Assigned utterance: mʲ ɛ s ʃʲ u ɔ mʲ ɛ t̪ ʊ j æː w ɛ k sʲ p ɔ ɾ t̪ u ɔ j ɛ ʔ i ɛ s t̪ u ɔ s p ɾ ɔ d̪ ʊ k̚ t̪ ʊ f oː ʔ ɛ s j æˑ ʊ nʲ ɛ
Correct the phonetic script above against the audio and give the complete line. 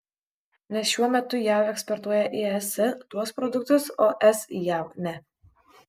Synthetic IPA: nʲ ɛ s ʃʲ u ɔ mʲ ɛ t̪ ʊ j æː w ɛ k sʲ p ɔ ɾ t̪ u ɔ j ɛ ʔ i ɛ s t̪ u ɔ s p ɾ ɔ d̪ ʊ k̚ t̪ ʊ s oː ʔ ɛ s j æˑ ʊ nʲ ɛ